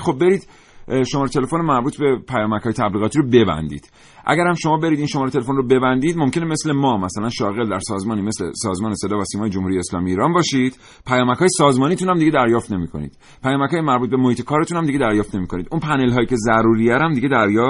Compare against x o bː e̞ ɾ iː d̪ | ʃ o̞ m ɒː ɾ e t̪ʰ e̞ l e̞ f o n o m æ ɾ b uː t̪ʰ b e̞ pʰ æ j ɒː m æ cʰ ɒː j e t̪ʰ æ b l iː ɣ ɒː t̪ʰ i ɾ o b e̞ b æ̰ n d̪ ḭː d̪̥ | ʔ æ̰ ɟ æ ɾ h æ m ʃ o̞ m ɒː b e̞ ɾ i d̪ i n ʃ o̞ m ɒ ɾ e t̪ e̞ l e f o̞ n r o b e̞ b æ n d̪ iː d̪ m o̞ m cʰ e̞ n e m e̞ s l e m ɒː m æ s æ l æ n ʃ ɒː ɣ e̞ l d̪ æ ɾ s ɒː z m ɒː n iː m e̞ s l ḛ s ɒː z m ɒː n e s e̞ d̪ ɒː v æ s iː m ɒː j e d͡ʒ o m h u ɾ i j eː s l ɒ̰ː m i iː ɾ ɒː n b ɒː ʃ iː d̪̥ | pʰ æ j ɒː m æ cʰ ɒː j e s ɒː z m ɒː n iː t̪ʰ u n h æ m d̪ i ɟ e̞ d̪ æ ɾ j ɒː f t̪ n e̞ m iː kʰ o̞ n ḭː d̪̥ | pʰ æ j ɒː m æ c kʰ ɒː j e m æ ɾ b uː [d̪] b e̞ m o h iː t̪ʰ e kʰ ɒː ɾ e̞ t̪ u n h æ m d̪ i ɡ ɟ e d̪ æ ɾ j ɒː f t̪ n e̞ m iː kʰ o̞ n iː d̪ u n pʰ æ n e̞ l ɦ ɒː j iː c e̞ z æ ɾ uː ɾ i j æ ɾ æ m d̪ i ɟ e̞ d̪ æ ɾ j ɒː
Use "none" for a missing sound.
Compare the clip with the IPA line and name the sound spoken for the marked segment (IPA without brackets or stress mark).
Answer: t̪